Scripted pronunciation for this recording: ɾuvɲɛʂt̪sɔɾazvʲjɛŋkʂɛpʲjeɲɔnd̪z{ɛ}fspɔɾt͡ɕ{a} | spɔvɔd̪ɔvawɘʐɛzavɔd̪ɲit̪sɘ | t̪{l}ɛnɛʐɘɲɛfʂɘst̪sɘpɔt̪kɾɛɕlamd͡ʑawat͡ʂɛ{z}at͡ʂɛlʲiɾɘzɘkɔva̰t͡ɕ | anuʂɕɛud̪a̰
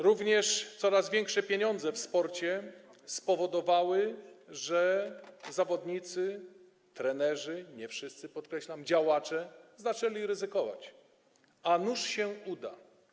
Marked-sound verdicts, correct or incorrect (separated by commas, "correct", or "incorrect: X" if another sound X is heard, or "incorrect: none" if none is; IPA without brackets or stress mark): correct, incorrect: ɛ, incorrect: ɾ, correct